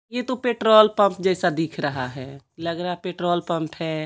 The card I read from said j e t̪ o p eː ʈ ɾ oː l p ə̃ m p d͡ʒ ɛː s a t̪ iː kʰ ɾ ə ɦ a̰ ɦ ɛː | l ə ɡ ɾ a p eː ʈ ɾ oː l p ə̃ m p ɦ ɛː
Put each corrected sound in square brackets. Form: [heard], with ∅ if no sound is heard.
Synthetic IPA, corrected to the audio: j e t̪ o p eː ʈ ɾ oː l p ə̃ m p d͡ʒ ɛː s a [d̪] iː kʰ ɾ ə ɦ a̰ ɦ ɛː | l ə ɡ ɾ a p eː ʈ ɾ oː l p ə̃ m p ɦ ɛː

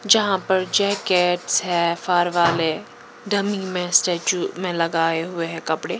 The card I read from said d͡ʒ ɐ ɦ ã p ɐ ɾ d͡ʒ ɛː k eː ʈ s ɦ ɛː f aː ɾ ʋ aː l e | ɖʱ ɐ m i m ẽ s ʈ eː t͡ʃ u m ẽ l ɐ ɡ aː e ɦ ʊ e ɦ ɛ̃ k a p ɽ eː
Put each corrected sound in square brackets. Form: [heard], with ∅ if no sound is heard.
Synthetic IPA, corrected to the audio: d͡ʒ ɐ ɦ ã p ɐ ɾ d͡ʒ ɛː k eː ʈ s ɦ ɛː f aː ɾ ʋ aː l e | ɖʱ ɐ m i m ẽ s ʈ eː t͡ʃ u m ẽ l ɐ ɡ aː e ɦ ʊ e ɦ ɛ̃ k [ɐ] p ɽ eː

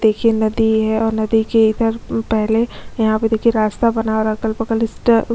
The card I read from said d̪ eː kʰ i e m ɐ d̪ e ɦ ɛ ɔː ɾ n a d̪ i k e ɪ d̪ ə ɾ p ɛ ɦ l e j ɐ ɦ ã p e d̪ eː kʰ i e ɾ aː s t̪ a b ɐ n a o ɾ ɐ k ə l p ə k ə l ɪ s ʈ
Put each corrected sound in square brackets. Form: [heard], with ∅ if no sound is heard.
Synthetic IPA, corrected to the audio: d̪ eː kʰ i e [n] ɐ d̪ [i] ɦ ɛ ɔː ɾ n [ɐ] d̪ i k e ɪ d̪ ə ɾ p ɛ ɦ l e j ɐ ɦ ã p e d̪ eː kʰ i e ɾ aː s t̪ a b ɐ n a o ɾ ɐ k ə l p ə k ə l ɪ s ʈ

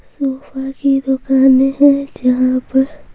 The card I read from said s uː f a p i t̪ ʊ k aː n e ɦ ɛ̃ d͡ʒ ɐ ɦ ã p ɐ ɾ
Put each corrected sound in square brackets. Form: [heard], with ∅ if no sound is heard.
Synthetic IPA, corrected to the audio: s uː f a [k] i [d̪] ʊ k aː n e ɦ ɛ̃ d͡ʒ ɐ ɦ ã p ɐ ɾ

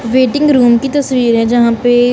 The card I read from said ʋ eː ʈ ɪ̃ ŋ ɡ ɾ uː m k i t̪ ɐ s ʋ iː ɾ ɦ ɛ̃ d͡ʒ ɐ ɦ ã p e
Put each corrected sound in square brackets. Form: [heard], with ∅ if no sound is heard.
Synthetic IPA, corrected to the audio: ʋ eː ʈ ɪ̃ ŋ ɡ ɾ uː m k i t̪ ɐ s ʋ iː ɾ ɦ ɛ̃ d͡ʒ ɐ ɦ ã p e

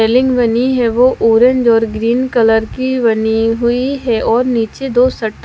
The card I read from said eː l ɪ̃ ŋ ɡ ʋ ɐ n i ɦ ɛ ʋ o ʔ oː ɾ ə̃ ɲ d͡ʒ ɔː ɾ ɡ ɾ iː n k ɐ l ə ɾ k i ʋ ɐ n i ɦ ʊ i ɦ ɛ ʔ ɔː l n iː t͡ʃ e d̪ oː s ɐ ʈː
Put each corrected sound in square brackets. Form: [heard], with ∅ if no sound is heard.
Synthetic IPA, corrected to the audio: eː l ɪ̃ ŋ ɡ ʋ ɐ n i ɦ ɛ ʋ o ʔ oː ɾ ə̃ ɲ d͡ʒ ɔː ɾ ɡ ɾ iː n k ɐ l ə ɾ k i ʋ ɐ n i ɦ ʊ i ɦ ɛ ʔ ɔː [ɾ] n iː t͡ʃ e d̪ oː s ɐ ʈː

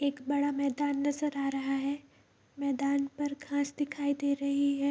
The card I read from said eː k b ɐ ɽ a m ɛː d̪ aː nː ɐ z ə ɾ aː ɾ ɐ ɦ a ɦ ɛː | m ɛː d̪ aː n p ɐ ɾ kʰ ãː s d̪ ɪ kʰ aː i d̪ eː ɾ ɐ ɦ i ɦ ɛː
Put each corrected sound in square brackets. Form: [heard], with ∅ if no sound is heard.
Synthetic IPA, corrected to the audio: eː k b ɐ ɽ a m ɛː d̪ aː nː ɐ z ə ɾ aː ɾ ɐ ɦ a ɦ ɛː | m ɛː d̪ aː n p ɐ ɾ kʰ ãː s d̪ ɪ kʰ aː i d̪ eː ɾ ɐ ɦ i ɦ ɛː

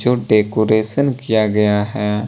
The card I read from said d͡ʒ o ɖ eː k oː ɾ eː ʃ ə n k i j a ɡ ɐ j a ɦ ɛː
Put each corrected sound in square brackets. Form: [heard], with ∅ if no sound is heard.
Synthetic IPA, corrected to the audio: d͡ʒ o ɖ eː k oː ɾ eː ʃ ə n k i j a ɡ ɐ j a ɦ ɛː

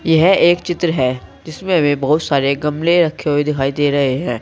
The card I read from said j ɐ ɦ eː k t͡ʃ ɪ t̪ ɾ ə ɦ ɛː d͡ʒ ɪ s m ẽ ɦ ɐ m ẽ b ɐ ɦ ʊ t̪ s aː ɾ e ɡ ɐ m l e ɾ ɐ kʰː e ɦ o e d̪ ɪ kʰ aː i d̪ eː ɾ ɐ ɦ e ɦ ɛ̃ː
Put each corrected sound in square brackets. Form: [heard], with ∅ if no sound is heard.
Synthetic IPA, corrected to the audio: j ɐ ɦ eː k t͡ʃ ɪ t̪ ɾ ə ɦ ɛː d͡ʒ ɪ s m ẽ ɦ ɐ m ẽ b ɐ ɦ ʊ t̪ s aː ɾ e ɡ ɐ m l e ɾ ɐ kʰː e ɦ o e d̪ ɪ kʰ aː i d̪ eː ɾ ɐ ɦ e ɦ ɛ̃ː

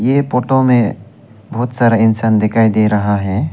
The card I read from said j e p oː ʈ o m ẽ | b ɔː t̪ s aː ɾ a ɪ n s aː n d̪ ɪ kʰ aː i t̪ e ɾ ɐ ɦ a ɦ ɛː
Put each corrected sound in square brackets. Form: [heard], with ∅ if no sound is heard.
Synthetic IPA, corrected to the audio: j e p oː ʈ o m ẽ | b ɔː t̪ s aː ɾ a ɪ n s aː n d̪ ɪ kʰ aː i [d̪] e ɾ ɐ ɦ a ɦ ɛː

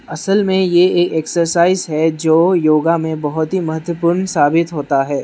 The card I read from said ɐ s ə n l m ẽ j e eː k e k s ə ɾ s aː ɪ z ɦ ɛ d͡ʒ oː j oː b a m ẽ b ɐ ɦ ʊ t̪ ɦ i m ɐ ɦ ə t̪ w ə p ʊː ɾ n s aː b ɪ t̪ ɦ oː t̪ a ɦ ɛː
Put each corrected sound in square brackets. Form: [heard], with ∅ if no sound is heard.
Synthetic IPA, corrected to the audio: ɐ s ə [∅] l m ẽ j e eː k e k s ə ɾ s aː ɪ z ɦ ɛ d͡ʒ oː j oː [ɡ] a m ẽ b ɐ ɦ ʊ t̪ ɦ i m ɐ ɦ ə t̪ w ə p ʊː ɾ n s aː b ɪ t̪ ɦ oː t̪ a ɦ ɛː

